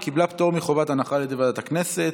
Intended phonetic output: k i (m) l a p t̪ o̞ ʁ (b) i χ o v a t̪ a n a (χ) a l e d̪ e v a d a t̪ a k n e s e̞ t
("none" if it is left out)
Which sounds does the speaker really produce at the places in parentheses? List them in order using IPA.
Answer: b, m, χ

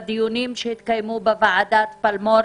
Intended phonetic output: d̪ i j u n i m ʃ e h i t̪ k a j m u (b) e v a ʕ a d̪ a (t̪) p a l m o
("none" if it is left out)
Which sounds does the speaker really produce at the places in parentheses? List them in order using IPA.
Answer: b, t̪

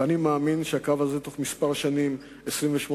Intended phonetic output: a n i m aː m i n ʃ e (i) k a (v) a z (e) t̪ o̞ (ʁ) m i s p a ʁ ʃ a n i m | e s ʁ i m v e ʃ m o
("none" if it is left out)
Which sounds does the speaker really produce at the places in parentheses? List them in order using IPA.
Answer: a, v, e, χ

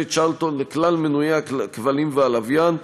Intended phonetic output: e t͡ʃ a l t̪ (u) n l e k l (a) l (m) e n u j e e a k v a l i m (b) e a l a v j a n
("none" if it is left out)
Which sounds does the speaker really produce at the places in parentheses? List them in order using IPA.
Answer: o, a, m, v

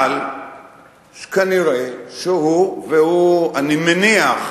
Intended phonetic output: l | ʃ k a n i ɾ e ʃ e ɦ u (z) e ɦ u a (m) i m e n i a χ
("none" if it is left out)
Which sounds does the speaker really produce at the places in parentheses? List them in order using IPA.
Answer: v, n

